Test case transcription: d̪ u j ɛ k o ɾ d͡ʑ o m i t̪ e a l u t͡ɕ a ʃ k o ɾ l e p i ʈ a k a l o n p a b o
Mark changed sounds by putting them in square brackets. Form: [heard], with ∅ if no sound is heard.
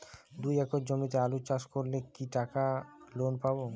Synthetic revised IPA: d̪ u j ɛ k o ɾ d͡ʑ o m i t̪ e a l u t͡ɕ a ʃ k o ɾ l e [k] i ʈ a k a l o n p a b o